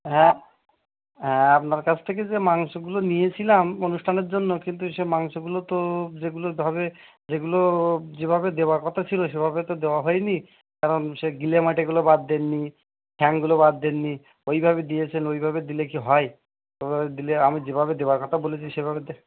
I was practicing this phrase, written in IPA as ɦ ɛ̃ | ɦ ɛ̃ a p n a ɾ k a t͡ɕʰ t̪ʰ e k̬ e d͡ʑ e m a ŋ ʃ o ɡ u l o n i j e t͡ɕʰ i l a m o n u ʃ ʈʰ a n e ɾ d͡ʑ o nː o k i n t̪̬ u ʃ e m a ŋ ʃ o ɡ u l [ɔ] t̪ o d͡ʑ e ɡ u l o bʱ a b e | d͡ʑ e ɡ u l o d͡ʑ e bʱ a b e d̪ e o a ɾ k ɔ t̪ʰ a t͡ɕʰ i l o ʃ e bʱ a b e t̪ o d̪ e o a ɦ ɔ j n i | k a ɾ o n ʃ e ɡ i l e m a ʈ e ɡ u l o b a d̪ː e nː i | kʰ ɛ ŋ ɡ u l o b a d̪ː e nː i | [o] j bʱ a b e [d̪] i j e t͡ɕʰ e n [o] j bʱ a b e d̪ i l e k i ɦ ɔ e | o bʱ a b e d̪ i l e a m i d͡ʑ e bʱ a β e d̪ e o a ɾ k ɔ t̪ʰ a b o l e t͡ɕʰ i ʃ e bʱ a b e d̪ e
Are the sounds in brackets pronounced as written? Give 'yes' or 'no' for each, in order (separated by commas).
no, yes, yes, yes